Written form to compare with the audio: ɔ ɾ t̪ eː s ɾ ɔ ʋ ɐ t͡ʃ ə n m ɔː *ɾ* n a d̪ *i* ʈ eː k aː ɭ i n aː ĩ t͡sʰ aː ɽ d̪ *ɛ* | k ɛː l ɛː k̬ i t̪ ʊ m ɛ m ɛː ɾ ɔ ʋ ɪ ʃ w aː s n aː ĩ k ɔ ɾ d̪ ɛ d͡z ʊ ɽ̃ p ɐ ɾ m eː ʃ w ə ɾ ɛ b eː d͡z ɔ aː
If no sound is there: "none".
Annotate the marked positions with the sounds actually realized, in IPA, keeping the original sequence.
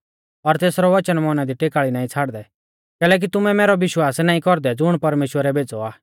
none, i, ɛ

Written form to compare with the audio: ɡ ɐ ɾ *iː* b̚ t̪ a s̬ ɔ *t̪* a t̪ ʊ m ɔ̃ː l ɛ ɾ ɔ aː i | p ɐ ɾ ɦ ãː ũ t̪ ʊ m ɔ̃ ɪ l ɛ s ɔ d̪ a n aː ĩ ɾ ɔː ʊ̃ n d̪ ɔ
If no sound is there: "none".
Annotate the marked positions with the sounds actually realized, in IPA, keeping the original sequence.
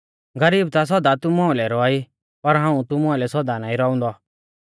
iː, d̪

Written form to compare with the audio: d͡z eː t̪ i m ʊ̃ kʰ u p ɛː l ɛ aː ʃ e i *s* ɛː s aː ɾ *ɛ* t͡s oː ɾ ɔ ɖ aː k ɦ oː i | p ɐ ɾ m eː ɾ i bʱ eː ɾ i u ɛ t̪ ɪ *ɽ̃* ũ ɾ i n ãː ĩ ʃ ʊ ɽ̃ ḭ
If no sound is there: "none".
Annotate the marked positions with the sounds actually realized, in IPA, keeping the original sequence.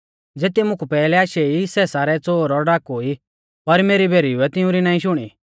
s, ɛ, none

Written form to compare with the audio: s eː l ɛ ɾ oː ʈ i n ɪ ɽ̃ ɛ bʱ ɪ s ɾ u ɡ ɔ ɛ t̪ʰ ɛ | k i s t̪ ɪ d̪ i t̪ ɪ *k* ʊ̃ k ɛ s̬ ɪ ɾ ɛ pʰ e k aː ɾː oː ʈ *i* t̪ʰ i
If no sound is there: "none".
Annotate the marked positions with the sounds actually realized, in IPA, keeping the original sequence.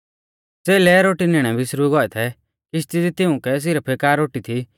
none, i

